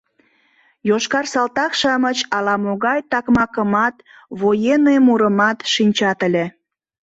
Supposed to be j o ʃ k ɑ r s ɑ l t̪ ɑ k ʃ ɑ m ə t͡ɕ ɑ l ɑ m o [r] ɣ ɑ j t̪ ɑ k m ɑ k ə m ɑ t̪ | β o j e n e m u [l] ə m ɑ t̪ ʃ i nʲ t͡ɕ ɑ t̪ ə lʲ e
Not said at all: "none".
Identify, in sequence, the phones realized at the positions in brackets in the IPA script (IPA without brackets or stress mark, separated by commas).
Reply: none, ɾ